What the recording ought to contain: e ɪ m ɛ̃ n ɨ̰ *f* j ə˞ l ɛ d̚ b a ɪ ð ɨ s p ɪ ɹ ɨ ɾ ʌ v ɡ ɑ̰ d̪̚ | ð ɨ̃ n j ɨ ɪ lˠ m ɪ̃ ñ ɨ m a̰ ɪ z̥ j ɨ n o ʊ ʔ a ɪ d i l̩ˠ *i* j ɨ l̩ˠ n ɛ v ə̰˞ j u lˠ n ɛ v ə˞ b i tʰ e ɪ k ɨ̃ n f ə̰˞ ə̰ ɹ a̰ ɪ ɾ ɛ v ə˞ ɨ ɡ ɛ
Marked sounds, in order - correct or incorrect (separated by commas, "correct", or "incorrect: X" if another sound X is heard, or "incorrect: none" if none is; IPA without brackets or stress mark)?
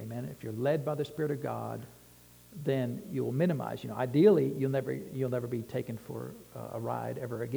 correct, correct